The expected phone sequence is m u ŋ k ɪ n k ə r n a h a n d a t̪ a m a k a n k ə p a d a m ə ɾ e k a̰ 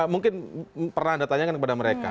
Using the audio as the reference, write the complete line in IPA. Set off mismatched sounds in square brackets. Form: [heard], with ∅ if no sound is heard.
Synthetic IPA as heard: m u ŋ k ɪ n [p] ə r n a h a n d a t̪ a [ɲ] a k a n k ə p a d a m ə ɾ e k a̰